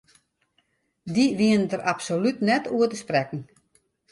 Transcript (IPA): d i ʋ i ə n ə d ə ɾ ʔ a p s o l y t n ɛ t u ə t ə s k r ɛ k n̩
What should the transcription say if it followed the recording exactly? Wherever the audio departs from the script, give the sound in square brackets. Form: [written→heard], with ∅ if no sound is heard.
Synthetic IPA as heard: d i ʋ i ə n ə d ə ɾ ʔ a p s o l y t n ɛ t u ə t ə s [k→p] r ɛ k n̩